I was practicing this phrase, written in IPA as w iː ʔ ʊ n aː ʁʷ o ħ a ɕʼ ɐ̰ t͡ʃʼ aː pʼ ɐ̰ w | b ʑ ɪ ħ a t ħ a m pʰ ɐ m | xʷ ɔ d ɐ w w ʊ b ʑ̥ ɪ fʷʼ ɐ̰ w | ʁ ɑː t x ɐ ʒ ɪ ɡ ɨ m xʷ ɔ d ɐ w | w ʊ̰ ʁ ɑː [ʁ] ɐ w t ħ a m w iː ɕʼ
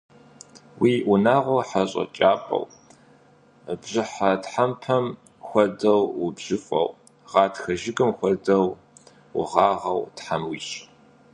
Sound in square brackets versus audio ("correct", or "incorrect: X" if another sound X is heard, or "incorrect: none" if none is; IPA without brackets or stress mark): correct